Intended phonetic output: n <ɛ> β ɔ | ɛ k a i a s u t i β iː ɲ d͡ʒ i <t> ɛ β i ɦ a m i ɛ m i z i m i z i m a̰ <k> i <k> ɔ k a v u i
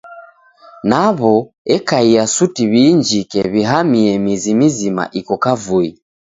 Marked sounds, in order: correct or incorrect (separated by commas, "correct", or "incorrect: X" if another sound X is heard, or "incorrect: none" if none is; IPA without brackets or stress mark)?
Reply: incorrect: a, incorrect: k, incorrect: ʔ, correct